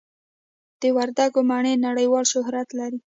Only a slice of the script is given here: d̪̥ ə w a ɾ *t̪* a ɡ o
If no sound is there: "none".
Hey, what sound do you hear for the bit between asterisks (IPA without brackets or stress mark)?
d̪